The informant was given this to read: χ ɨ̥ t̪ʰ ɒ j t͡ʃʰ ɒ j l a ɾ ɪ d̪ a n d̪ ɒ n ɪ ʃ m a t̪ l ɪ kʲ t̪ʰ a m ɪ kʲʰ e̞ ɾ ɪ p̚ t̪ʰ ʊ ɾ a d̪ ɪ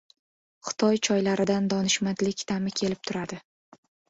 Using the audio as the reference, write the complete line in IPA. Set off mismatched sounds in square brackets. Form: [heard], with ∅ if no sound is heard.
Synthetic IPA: χ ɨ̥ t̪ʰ ɒ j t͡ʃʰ ɒ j l a ɾ ɪ d̪ a n d̪ ɒ n ɪ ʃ m a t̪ l ɪ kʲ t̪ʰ a m ɪ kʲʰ e̞ [l] ɪ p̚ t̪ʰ ʊ ɾ a d̪ ɪ